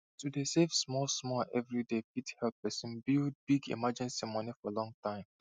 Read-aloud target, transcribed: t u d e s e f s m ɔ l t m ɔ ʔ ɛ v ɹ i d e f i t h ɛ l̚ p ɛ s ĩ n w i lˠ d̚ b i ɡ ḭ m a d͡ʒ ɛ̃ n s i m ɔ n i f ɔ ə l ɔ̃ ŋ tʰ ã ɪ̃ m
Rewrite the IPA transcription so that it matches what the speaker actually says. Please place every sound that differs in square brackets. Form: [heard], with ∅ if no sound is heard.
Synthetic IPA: t u d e s e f s m ɔ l [s] m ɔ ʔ ɛ v ɹ i d e f i t h ɛ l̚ p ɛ s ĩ n [b] i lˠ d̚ b i ɡ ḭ m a d͡ʒ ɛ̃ n s i m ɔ n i f ɔ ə l ɔ̃ ŋ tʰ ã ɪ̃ m